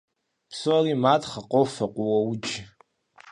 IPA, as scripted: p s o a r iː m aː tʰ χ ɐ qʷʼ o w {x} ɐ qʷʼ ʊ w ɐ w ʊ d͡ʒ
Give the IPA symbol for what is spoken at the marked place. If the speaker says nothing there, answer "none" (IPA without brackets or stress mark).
f